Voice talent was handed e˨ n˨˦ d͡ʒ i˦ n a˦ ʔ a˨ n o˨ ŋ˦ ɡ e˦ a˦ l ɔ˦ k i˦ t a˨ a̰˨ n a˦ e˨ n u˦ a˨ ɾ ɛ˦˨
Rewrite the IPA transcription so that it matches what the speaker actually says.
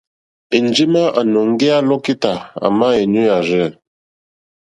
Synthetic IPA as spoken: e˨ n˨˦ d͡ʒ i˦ m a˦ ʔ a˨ n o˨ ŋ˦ ɡ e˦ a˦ l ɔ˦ k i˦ t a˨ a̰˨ m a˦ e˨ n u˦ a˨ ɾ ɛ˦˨